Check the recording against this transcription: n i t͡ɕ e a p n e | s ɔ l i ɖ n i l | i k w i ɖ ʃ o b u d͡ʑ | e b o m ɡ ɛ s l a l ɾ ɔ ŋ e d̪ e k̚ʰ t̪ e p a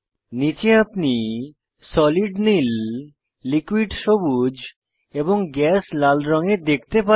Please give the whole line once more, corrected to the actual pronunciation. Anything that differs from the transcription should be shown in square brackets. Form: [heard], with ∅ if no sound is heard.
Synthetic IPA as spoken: n i t͡ɕ e a p n [i] | s ɔ l i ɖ n i [lː] | i k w i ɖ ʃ o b u d͡ʑ | e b o [ŋ] ɡ ɛ s l a l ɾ ɔ ŋ e d̪ e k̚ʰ t̪ e p a

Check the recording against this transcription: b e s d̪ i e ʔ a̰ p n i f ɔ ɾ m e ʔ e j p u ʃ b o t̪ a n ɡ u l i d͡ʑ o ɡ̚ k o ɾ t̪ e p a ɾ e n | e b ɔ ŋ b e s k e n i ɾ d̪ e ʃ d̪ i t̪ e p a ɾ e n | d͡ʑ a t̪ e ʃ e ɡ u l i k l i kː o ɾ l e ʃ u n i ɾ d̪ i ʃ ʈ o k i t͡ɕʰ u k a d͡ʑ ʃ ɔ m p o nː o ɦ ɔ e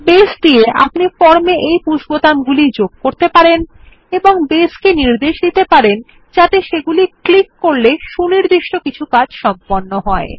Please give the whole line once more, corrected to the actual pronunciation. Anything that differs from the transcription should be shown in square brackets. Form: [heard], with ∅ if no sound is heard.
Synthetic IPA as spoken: b e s d̪ i e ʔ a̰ p n i f ɔ ɾ m e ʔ e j p u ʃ b o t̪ a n ɡ u l i d͡ʑ o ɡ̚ k o ɾ t̪ e p a ɾ e n | e b [o] ŋ b e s k e n i ɾ d̪ e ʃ d̪ i t̪ e p a ɾ e n | d͡ʑ a t̪ e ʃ e ɡ u l i k l i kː o ɾ l e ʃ u n i ɾ d̪ i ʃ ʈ o k i t͡ɕʰ u k a d͡ʑ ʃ ɔ m p o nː o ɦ ɔ e

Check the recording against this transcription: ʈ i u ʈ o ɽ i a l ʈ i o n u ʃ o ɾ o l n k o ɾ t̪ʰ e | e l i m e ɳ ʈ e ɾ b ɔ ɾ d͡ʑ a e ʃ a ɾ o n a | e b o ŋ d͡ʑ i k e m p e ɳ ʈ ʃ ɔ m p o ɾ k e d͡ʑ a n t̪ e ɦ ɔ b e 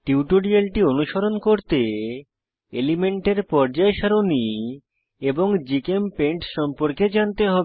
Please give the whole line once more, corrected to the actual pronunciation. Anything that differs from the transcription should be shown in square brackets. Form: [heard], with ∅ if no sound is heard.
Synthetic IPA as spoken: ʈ i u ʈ o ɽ i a l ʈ i o n u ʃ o ɾ o [∅] n k o ɾ [t̪] e | e l i m e ɳ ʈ e ɾ [p] ɔ ɾ d͡ʑ a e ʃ a ɾ o n [i] | e b o ŋ d͡ʑ i k e m p e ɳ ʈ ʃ ɔ m p o ɾ k e d͡ʑ a n t̪ e ɦ ɔ b e

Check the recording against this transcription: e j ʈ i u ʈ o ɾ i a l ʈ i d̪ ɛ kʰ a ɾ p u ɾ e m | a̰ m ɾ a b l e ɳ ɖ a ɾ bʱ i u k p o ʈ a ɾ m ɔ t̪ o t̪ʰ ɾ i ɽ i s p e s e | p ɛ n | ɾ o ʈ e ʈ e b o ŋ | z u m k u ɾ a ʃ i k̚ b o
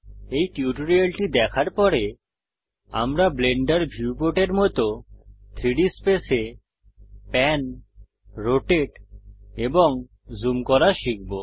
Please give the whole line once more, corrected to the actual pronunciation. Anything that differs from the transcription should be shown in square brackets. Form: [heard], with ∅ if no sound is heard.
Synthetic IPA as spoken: e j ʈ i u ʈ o ɾ i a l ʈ i d̪ ɛ kʰ a ɾ p [ɔ] ɾ e [∅] | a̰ m ɾ a b l e ɳ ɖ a ɾ bʱ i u [∅] p o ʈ [e] ɾ m ɔ t̪ o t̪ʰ ɾ i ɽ i s p e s e | p ɛ n | ɾ o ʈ e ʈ e b o ŋ | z u m k [ɔ] ɾ a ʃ i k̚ b o

